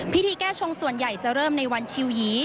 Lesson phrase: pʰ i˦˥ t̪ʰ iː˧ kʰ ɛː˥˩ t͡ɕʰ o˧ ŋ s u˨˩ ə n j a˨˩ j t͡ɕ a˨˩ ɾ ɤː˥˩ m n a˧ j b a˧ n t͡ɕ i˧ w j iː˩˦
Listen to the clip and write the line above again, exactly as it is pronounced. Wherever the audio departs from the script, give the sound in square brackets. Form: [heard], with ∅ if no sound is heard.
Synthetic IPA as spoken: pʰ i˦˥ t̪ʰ iː˧ [k] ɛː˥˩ t͡ɕʰ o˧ ŋ s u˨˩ ə n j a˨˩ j t͡ɕ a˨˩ ɾ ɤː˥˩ m n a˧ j [w] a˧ n [t͡ɕʰ] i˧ w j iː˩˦